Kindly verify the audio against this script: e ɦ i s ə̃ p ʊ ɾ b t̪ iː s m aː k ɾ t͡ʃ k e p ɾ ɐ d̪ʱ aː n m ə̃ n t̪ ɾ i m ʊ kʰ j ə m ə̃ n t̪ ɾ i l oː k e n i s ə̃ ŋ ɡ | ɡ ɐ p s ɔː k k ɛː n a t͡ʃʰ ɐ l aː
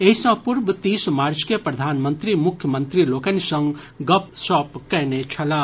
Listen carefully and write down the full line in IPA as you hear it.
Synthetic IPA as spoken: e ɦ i s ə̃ p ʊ ɾ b t̪ iː s m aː ɾ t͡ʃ k e p ɾ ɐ d̪ʱ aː n m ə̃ n t̪ ɾ i m ʊ kʰ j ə m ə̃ n t̪ ɾ i l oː k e n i s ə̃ ŋ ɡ | ɡ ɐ p s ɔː p k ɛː n e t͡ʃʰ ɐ l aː